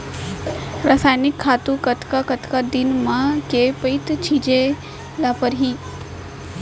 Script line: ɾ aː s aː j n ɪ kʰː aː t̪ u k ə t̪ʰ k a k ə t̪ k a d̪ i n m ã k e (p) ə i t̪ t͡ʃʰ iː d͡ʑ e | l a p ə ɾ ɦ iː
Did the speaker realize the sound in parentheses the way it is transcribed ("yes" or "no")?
yes